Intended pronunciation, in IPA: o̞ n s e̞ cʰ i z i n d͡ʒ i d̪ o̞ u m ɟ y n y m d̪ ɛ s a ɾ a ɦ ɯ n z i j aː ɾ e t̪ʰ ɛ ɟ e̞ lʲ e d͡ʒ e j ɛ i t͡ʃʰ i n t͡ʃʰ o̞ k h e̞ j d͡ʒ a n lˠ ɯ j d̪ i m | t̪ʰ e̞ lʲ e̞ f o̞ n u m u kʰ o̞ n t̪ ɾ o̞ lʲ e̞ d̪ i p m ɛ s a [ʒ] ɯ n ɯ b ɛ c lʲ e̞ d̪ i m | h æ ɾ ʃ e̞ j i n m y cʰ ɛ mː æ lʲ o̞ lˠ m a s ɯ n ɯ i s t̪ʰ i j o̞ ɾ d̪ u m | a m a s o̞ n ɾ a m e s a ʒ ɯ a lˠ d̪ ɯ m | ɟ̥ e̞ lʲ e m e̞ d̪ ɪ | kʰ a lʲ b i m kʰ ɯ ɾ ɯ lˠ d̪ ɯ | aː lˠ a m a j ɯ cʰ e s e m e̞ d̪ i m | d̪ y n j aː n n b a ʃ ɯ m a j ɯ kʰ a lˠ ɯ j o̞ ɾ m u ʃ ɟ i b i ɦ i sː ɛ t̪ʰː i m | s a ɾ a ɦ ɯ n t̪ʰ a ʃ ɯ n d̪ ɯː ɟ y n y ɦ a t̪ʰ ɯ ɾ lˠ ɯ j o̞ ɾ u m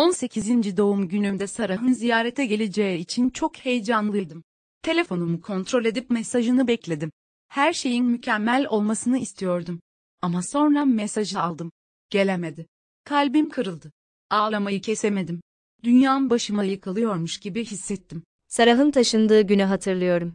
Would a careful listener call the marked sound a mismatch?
no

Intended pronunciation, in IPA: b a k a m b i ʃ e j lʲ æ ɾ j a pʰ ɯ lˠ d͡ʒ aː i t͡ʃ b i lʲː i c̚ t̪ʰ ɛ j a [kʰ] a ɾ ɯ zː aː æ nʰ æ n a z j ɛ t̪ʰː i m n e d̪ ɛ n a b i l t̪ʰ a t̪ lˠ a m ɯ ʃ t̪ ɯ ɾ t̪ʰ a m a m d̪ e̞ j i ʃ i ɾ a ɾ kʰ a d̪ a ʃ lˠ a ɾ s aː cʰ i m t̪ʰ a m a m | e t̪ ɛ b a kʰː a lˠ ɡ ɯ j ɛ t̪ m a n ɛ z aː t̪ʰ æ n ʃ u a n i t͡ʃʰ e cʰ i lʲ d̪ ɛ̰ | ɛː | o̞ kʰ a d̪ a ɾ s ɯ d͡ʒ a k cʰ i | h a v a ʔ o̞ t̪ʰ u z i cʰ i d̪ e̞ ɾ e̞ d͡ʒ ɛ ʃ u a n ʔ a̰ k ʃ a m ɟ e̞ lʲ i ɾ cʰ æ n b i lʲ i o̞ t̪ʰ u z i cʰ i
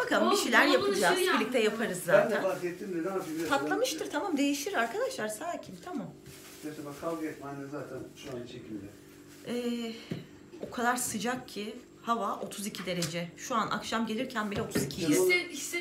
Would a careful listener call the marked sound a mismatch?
yes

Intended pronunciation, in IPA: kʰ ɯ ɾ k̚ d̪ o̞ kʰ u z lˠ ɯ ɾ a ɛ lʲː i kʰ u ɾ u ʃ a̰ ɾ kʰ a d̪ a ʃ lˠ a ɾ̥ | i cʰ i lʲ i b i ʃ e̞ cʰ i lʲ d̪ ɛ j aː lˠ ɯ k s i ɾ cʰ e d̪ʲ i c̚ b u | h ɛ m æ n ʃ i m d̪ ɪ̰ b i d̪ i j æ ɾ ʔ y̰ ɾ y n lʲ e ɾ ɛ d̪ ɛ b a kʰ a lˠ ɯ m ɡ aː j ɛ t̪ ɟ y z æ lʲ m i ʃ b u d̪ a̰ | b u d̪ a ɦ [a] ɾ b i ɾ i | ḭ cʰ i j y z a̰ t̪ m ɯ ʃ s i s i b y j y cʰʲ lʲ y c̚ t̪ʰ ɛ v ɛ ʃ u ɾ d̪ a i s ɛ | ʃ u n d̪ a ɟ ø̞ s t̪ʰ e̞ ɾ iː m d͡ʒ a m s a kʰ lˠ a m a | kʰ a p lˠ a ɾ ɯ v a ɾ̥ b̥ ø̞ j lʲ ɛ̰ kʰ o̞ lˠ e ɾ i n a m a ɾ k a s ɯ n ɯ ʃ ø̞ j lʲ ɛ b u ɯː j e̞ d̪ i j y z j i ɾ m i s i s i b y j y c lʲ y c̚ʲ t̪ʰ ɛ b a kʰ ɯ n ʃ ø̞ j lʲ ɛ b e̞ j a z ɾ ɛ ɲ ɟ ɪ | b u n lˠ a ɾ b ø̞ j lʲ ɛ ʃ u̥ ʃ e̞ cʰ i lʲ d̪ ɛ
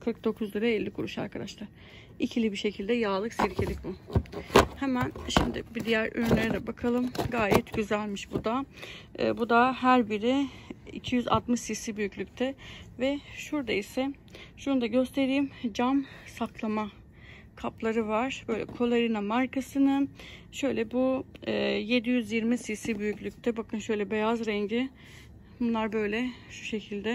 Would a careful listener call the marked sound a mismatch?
yes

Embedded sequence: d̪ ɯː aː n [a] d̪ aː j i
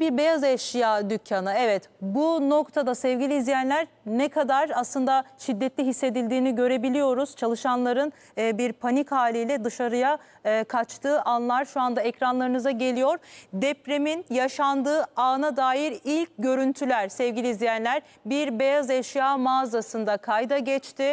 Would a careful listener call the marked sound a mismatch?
no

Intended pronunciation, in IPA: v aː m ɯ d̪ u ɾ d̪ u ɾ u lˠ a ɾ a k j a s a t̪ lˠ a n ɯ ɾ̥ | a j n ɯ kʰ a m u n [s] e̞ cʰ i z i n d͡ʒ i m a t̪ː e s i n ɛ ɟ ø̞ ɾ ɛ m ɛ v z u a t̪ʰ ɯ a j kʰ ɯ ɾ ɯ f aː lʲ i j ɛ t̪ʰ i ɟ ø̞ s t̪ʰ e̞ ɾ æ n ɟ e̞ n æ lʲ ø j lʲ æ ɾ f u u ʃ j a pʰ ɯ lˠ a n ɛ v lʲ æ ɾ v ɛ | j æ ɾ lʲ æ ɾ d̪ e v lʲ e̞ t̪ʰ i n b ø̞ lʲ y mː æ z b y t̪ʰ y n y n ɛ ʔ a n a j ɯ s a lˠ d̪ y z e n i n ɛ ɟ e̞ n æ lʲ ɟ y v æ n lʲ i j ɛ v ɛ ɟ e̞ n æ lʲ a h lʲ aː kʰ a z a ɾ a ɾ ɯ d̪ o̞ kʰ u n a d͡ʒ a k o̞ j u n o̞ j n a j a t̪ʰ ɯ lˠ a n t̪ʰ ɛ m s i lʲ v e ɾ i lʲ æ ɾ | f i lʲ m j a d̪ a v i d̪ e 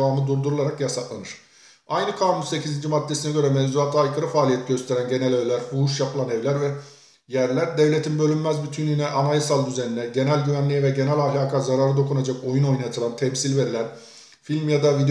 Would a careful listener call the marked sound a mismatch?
no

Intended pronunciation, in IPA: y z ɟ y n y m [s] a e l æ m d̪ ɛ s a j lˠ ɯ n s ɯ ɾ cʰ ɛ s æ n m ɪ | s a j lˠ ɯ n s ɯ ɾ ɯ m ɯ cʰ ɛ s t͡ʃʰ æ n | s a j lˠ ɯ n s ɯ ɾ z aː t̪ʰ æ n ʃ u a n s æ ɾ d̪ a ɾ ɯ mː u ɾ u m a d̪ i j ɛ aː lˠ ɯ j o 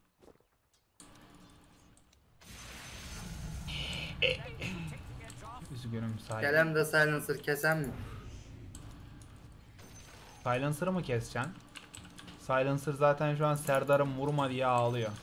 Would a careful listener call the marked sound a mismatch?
no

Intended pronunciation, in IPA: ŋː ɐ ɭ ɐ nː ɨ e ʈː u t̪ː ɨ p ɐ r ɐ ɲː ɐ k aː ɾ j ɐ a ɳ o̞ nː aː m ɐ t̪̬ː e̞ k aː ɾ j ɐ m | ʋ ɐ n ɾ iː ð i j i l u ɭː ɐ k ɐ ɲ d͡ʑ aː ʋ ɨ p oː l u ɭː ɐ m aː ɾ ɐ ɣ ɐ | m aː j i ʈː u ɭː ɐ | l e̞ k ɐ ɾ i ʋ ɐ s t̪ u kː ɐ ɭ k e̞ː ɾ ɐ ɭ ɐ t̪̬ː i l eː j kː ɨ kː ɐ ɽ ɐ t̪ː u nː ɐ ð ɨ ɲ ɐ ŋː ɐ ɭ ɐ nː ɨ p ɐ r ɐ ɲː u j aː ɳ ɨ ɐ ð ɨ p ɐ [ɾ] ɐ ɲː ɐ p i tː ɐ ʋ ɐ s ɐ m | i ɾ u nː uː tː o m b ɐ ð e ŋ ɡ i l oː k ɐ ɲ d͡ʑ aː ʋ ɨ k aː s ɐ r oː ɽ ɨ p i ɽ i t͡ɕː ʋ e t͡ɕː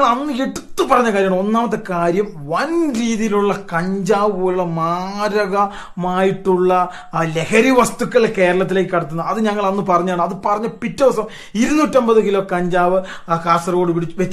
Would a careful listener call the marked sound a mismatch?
yes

